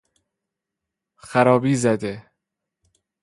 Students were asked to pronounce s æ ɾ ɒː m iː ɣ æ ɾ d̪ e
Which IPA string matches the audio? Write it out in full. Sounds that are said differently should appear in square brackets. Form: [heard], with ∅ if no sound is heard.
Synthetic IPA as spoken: [x] æ ɾ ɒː [b] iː [z] æ [∅] d̪ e